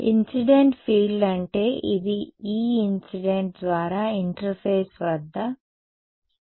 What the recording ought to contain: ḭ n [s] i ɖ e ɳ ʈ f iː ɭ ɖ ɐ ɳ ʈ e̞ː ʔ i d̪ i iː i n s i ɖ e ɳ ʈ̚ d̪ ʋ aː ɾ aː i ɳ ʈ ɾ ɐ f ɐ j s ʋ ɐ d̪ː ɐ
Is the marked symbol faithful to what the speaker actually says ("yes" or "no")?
yes